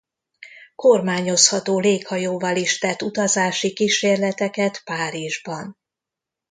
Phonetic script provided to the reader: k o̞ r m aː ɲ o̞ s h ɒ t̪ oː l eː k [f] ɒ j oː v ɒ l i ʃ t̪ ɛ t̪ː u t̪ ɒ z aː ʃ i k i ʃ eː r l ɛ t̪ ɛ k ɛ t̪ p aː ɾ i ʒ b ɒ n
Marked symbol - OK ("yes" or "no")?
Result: no